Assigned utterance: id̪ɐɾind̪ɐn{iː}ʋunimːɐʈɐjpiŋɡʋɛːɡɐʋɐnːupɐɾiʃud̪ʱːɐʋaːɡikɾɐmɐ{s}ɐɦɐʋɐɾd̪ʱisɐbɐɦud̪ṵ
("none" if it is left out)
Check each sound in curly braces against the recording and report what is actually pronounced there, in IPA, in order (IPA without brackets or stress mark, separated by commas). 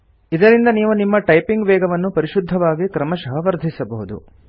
iː, ʃ